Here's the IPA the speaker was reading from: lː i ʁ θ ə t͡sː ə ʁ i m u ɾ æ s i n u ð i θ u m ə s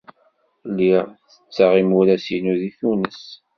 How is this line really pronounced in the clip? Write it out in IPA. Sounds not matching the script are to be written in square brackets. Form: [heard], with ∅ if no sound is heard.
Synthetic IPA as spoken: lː i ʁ θ ə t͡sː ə ʁ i m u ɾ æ s i n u ð i θ u [n] ə s

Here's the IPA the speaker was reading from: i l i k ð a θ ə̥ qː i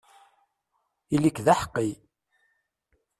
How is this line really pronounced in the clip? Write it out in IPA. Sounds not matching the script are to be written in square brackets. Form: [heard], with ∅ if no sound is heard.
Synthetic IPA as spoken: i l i k ð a [ħ] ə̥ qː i

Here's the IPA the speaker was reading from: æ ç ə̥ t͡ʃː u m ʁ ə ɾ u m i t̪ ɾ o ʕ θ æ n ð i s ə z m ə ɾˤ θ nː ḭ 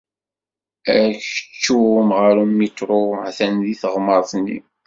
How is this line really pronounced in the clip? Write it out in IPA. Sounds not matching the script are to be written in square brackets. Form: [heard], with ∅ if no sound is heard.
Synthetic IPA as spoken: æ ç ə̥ t͡ʃː u m ʁ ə ɾ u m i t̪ ɾ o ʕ θ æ n ð i [θ] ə [ʁ] m ə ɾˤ θ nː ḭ

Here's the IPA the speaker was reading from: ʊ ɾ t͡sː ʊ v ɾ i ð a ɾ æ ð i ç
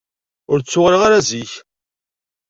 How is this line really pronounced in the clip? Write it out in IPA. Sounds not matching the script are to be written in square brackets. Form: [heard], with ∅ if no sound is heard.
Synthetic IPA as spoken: ʊ ɾ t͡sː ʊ [ʁ] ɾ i [ʁ] a ɾ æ [z] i ç

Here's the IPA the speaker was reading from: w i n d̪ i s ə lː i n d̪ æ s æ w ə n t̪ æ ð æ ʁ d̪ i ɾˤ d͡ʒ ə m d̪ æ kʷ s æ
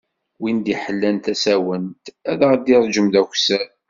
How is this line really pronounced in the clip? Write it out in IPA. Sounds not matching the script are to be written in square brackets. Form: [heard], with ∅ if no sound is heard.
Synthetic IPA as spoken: w i n d̪ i [ħ] ə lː [æ] n [t̪] æ s æ w ə n t̪ æ ð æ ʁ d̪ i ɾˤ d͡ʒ ə m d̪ æ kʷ s æ

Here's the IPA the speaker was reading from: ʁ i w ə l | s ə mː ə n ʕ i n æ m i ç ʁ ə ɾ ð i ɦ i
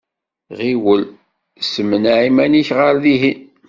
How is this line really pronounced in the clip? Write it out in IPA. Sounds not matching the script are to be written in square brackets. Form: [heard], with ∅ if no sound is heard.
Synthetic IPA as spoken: ʁ i w ə l | s ə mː ə n ʕ i [m] æ [n] i ç ʁ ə ɾ ð i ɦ i

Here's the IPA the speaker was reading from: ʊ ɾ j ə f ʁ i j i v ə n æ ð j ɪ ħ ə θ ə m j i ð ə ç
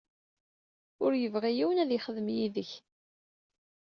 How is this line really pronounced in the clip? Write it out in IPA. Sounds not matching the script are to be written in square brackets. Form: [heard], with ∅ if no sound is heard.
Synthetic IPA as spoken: ʊ ɾ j ə [v] ʁ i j i [w] ə n æ ð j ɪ [χ] ə [ð] ə m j i ð ə ç

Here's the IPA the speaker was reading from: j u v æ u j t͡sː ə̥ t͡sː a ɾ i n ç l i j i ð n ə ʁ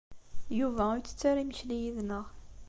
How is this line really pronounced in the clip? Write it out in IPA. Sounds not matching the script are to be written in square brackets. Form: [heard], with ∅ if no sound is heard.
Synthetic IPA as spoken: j u v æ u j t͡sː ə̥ t͡sː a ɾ i [m] ç l i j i ð n ə ʁ

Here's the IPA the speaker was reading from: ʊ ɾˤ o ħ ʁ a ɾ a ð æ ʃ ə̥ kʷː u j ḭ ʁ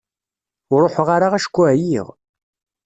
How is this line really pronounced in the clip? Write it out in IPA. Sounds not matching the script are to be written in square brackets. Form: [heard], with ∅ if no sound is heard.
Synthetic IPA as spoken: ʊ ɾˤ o ħ ʁ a ɾ a [ʁ] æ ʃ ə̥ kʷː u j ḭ ʁ

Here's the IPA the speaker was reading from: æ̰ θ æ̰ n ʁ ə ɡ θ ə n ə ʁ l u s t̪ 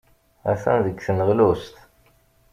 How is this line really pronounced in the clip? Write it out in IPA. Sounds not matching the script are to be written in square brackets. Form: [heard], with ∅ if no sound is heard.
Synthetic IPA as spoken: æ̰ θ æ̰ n [ð] ə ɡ θ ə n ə ʁ l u s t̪

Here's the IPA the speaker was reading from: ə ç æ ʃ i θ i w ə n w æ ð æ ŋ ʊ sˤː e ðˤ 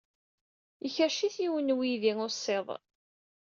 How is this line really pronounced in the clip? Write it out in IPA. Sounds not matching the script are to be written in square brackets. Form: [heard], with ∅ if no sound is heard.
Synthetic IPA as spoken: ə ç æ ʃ i θ i w ə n w [i] ð [i] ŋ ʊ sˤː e ðˤ

